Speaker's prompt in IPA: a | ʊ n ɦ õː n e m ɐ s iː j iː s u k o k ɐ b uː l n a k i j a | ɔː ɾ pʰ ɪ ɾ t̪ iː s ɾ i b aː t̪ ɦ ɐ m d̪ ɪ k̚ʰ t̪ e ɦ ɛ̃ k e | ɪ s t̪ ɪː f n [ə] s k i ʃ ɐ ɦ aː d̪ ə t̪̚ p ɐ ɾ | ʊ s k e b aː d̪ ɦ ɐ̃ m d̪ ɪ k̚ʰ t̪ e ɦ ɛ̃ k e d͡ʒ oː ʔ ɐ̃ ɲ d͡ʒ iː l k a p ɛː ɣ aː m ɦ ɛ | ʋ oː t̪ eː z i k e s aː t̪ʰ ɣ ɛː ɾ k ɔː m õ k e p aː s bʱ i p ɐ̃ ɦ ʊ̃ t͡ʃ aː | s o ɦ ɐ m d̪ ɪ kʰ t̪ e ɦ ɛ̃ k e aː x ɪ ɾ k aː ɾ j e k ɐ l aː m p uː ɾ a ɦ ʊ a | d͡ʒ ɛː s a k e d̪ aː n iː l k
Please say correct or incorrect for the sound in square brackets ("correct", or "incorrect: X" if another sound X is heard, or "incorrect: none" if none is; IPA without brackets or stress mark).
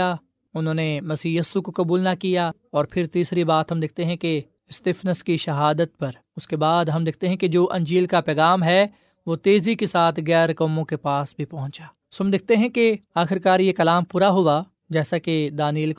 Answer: correct